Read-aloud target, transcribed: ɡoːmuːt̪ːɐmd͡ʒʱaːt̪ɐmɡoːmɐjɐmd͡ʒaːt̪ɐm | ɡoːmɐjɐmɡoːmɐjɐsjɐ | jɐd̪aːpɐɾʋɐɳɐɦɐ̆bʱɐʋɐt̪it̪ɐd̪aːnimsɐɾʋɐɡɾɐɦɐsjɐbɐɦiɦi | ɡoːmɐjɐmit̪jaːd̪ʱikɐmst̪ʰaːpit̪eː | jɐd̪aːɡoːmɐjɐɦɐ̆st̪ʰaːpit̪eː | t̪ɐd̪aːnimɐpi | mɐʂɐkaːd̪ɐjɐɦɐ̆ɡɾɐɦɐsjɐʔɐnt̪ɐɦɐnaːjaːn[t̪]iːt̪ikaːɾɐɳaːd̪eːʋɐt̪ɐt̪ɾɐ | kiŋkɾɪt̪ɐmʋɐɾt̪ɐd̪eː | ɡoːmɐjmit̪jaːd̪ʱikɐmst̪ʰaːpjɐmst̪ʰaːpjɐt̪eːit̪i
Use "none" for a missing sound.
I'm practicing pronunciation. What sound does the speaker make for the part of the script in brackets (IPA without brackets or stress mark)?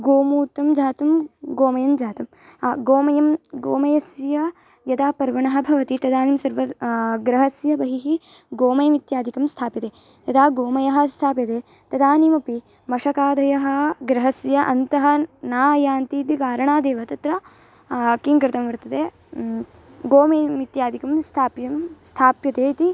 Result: t̪